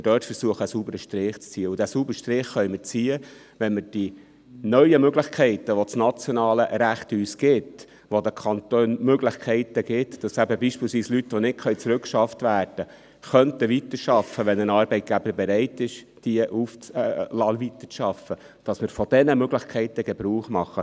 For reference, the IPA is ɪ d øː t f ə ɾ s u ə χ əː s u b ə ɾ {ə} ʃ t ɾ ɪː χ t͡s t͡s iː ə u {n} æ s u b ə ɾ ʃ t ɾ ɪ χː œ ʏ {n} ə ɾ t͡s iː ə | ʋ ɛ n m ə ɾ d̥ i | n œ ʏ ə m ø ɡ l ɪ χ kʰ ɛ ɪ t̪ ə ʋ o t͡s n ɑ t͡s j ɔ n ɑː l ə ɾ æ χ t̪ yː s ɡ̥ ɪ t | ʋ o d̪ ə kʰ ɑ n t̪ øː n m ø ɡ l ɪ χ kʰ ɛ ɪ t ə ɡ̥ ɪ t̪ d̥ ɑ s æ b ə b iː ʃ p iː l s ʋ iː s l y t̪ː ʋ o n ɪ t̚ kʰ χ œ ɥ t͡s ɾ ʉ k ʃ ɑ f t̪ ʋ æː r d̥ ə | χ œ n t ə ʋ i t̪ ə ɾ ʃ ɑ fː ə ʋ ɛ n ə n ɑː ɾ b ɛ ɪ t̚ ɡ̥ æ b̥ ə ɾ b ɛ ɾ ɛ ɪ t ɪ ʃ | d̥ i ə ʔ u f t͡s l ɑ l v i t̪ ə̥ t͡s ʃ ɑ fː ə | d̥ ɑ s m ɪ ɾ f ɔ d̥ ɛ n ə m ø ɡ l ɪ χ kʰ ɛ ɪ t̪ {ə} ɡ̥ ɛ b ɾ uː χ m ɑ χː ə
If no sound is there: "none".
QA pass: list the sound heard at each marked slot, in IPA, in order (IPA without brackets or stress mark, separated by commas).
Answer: ə, d, m, ə